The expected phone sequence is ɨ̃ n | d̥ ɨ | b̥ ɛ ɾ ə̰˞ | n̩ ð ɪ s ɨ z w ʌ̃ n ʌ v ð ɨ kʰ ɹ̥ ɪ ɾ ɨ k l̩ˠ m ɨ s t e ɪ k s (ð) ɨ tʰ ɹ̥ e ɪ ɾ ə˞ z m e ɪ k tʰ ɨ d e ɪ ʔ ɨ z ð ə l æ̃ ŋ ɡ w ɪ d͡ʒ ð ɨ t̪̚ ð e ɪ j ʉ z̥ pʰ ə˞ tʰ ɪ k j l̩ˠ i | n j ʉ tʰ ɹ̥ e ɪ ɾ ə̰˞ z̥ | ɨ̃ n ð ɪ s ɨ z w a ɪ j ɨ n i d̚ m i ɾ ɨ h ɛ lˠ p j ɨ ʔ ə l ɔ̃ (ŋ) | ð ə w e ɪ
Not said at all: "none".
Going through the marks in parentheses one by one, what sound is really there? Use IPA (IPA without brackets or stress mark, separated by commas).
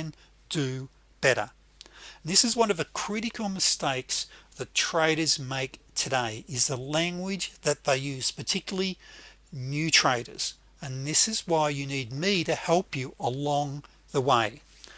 ð, ŋ